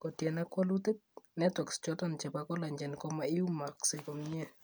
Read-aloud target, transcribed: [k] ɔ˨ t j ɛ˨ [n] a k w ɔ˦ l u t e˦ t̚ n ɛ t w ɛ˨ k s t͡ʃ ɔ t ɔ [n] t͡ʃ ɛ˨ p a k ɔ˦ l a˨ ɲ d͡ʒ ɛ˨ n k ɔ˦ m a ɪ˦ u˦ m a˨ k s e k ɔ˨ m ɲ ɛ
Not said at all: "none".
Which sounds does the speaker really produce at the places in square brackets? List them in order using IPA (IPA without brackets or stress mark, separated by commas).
k, n, n